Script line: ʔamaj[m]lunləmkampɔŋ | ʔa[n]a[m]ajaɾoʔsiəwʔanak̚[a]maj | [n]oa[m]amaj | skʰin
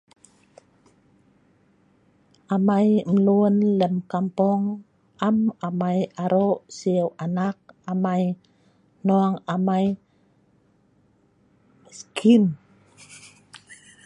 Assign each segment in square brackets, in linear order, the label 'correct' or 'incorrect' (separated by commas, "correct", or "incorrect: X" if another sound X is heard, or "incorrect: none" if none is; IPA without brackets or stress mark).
correct, incorrect: m, correct, correct, correct, incorrect: ŋ